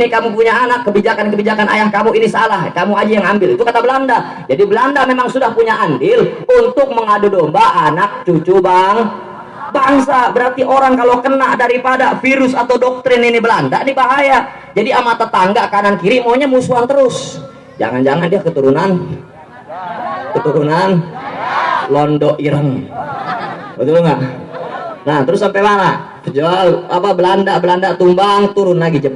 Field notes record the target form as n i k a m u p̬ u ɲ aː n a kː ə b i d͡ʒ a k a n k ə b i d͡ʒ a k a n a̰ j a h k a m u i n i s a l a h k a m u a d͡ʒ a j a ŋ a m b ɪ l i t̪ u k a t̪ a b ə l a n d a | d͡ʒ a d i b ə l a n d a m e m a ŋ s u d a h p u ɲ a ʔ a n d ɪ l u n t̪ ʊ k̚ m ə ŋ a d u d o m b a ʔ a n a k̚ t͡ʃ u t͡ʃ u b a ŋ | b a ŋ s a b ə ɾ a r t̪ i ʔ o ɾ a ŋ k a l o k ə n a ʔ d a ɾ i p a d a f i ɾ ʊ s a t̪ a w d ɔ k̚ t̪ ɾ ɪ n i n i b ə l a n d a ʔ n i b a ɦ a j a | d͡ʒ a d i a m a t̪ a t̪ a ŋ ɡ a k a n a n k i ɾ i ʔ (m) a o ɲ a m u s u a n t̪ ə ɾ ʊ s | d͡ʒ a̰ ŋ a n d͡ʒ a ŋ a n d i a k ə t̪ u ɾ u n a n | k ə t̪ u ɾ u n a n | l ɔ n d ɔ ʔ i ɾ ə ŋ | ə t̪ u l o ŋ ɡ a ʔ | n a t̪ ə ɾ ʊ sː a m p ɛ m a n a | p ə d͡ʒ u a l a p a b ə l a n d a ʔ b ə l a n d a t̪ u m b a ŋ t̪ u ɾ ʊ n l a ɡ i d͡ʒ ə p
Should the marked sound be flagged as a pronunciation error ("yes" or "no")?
no